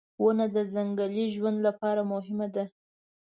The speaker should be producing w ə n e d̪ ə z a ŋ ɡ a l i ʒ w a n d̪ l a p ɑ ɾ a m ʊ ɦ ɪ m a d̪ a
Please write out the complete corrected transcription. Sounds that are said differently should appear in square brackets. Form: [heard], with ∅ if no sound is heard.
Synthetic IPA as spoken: w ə n [a] d̪ ə z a ŋ ɡ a l i ʒ w a n d̪ l a p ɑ ɾ a m ʊ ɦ ɪ m a d̪ a